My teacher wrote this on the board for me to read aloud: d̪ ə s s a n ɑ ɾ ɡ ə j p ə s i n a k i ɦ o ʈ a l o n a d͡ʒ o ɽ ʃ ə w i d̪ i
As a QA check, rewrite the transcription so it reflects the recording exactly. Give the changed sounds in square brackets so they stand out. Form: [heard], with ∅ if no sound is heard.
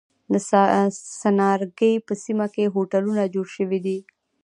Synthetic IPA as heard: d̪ ə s s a n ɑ ɾ ɡ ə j p ə s i [m] a k [e] ɦ o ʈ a l [u] n a d͡ʒ o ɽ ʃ ə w i d̪ i